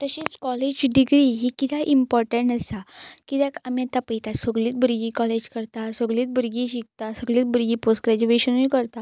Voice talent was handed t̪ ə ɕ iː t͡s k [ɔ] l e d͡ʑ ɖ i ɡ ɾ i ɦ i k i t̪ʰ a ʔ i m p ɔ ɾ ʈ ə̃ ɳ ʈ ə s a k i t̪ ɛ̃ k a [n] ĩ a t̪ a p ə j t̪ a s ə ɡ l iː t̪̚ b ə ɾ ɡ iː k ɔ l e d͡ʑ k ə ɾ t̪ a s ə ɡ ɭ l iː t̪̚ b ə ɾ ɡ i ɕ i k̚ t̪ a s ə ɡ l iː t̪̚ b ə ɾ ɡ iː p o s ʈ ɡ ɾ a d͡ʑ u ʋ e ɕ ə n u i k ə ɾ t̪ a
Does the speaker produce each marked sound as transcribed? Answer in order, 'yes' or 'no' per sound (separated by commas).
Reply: yes, no